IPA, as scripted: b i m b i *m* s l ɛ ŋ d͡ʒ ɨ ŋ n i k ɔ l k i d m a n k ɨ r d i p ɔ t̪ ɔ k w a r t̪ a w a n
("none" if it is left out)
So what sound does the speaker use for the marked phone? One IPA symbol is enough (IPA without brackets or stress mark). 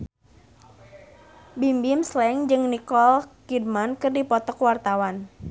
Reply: m